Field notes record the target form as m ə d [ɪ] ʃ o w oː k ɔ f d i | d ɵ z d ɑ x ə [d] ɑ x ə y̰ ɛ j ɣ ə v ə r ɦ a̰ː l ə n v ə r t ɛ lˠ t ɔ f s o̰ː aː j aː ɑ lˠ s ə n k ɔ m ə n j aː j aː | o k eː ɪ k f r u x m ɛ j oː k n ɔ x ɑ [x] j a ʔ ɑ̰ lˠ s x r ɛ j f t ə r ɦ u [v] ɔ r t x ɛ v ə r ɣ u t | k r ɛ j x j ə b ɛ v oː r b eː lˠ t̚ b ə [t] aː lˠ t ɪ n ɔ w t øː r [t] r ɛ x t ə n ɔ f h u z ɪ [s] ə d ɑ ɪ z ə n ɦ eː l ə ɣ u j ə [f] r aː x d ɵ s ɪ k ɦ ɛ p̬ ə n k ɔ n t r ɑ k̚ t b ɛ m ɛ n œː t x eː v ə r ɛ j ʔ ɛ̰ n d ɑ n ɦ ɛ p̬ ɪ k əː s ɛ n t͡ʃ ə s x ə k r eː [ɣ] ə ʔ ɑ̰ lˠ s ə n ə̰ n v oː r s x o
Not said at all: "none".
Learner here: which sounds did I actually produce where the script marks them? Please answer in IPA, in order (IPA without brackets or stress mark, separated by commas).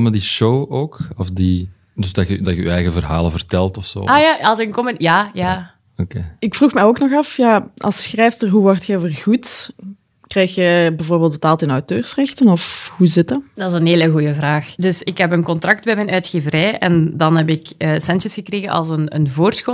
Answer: i, d, f, ʋ, t, s, t, v, ɣ